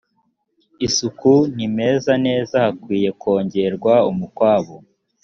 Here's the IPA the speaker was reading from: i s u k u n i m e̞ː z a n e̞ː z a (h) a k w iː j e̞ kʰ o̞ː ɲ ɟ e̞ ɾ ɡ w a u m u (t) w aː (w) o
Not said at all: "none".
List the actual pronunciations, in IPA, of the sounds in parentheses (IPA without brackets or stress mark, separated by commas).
h, k, β